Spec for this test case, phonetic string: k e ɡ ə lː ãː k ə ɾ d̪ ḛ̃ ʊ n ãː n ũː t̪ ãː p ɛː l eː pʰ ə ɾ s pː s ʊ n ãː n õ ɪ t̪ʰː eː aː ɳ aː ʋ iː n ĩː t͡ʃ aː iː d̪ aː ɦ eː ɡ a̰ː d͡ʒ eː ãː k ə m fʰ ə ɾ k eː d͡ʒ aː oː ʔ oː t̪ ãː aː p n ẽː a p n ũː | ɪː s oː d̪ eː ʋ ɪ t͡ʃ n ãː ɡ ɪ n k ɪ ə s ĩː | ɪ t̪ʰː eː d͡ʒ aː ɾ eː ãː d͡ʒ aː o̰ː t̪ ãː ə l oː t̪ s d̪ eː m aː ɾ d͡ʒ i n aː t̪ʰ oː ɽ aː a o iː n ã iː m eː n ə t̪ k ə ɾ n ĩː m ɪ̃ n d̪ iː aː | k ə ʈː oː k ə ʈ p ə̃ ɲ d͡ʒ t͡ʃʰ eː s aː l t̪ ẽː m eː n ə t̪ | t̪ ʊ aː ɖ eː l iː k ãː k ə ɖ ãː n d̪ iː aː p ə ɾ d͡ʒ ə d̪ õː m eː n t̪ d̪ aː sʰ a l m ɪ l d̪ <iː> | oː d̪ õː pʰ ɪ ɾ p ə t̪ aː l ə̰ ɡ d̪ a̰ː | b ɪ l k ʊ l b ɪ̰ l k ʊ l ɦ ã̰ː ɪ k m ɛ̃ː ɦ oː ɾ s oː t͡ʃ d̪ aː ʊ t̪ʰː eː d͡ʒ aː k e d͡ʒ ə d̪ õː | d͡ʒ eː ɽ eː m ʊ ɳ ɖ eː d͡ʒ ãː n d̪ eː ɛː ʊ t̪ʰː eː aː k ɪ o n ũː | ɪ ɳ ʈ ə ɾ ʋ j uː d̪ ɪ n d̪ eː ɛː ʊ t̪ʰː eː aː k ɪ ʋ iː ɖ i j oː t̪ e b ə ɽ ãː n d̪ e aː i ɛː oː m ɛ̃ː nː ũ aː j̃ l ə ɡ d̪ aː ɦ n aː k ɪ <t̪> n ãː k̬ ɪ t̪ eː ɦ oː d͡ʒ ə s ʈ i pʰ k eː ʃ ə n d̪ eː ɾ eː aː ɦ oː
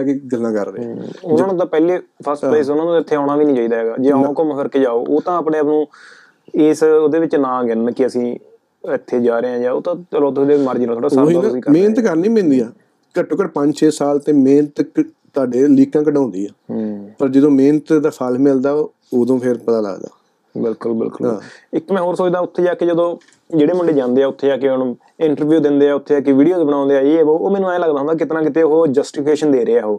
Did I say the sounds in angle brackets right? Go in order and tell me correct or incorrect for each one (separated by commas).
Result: incorrect, correct